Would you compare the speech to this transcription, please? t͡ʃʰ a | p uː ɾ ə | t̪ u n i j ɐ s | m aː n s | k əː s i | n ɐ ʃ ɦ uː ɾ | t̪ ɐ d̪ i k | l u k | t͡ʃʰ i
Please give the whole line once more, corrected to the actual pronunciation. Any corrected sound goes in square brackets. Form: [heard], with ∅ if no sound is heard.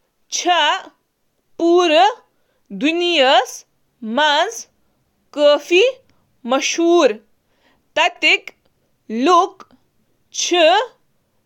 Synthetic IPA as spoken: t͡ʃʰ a | p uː ɾ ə | [d̪] u n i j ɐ s | m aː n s | k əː [f] i | [m] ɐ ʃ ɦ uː ɾ | t̪ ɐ [t̪] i k | l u k | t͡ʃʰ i